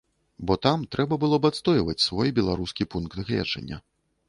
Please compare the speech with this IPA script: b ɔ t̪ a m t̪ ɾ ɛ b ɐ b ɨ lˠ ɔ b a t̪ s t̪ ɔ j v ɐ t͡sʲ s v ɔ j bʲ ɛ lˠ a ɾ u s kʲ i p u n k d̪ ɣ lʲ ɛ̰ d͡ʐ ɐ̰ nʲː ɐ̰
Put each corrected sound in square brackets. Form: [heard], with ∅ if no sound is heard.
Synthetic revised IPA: b ɔ t̪ a m t̪ ɾ ɛ b ɐ b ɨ lˠ ɔ b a t̪ s t̪ ɔ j v ɐ t͡sʲ s v ɔ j bʲ ɛ lˠ a ɾ u s kʲ i p u n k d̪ ɣ lʲ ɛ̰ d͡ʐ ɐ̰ nʲː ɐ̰